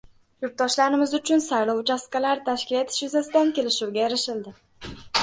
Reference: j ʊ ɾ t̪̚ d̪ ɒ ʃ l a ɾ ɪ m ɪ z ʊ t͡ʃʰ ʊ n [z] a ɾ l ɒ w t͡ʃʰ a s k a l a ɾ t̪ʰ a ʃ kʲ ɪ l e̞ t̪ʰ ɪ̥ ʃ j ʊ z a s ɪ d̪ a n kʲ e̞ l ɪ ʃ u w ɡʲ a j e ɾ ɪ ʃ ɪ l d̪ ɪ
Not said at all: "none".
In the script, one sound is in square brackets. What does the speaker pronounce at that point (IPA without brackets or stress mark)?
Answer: s